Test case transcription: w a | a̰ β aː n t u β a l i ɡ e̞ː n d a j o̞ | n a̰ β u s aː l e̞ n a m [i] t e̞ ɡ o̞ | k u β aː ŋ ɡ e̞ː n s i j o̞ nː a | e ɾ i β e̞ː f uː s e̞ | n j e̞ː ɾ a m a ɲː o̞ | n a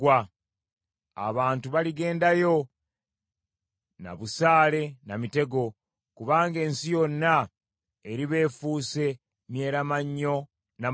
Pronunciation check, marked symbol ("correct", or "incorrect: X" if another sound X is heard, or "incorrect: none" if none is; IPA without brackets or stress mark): correct